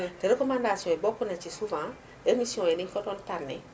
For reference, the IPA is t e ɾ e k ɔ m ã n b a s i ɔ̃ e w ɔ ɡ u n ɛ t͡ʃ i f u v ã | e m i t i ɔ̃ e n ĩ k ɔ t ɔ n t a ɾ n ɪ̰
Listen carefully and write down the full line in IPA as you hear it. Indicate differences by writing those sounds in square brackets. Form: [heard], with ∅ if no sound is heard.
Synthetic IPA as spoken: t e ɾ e k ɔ m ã n [d] a s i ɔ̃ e [b] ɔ [k] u n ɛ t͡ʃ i [s] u v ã | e m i [s] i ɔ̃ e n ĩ k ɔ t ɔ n t a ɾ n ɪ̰